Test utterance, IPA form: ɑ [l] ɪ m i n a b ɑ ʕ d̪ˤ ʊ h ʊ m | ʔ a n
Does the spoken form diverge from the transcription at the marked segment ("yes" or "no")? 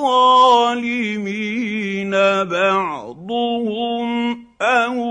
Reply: no